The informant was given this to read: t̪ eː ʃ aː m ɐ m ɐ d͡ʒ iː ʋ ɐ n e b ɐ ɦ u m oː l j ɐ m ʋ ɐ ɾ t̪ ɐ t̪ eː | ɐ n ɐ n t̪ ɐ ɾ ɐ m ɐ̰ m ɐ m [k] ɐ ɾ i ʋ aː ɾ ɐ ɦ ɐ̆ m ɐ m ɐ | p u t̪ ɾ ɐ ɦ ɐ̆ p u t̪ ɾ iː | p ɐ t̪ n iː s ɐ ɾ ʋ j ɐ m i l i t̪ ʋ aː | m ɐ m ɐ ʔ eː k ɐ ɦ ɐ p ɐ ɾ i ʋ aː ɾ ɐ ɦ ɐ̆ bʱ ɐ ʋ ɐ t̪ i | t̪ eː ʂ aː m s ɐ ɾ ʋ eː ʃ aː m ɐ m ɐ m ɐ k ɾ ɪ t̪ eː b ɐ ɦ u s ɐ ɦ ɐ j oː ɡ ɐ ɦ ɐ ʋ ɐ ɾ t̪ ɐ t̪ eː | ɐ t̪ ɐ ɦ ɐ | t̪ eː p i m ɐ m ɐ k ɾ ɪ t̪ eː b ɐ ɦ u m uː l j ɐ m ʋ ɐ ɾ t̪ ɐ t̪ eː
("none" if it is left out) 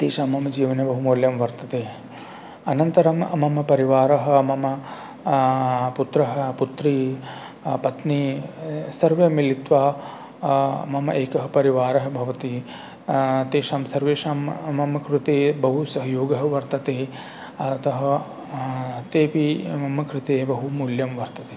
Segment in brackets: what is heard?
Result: p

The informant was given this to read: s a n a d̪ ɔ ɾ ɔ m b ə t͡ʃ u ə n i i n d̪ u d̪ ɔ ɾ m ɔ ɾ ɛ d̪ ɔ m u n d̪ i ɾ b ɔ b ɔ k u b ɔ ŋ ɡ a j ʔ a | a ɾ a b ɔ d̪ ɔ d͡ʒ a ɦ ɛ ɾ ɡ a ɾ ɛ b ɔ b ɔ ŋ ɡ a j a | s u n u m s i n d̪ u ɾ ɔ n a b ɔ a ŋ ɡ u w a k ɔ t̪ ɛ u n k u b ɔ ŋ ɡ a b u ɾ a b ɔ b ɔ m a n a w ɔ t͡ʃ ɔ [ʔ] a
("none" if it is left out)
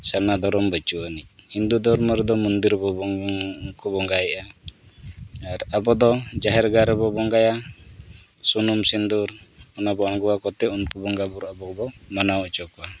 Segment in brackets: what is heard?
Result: k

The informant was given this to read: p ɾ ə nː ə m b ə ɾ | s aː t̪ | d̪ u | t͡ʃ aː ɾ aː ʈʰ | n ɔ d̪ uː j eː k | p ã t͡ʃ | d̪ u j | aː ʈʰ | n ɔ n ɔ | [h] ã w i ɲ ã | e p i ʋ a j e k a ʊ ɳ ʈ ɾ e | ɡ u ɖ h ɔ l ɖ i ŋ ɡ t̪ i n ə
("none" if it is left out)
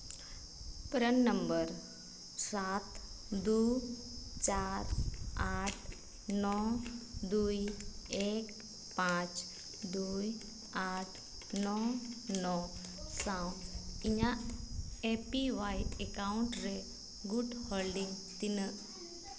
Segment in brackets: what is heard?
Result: s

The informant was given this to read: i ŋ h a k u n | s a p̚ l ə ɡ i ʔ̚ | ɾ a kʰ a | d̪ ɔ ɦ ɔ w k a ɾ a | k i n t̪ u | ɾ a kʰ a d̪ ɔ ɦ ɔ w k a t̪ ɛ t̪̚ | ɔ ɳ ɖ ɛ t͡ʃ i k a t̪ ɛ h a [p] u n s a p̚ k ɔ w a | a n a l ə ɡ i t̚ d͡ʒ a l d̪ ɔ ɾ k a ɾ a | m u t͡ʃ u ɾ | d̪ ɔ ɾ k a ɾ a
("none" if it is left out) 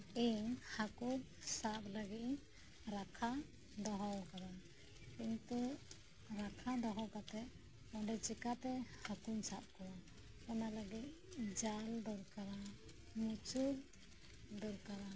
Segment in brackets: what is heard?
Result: k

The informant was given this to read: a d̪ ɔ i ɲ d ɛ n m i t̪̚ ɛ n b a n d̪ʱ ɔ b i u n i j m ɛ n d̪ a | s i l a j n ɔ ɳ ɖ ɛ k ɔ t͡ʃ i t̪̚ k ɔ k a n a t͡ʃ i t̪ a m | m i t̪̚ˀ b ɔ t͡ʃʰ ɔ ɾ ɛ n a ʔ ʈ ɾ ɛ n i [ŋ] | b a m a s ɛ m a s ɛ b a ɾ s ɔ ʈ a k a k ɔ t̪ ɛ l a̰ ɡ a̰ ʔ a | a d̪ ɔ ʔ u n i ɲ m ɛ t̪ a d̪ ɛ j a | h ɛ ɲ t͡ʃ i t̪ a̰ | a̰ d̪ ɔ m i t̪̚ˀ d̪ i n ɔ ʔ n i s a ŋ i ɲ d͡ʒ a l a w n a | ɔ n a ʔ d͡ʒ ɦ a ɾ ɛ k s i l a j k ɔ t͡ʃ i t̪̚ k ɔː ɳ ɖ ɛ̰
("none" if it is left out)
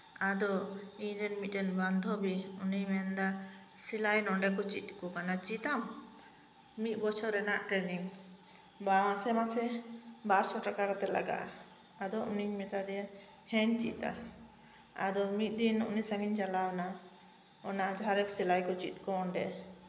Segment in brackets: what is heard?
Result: ŋ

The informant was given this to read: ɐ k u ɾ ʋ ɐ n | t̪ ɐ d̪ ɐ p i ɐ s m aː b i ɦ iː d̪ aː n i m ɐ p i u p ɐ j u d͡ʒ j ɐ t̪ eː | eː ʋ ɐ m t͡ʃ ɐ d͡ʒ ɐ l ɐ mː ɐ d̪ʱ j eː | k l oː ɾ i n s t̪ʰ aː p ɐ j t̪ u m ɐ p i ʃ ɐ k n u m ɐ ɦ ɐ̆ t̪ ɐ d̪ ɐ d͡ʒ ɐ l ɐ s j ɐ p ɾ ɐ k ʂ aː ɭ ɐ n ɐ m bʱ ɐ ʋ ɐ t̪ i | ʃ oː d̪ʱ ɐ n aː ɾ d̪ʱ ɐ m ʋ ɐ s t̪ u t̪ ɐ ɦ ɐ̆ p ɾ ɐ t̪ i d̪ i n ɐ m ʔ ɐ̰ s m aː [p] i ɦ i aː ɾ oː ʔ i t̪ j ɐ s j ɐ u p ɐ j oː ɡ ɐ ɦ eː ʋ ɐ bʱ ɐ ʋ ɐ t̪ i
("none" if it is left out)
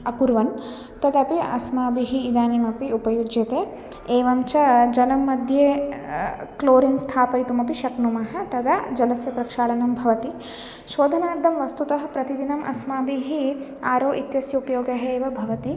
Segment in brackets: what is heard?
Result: b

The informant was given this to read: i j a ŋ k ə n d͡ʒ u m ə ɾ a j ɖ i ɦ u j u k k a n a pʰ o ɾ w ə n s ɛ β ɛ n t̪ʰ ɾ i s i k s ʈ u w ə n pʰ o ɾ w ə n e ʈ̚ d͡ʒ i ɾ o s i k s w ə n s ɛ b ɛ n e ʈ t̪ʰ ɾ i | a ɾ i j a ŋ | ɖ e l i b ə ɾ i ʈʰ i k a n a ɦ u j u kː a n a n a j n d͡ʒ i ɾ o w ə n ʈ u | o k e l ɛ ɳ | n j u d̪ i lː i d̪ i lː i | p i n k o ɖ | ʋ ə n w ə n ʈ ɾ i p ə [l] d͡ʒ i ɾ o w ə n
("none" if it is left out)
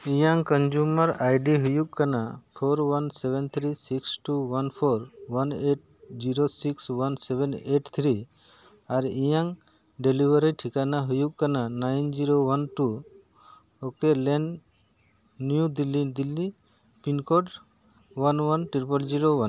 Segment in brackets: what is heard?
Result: l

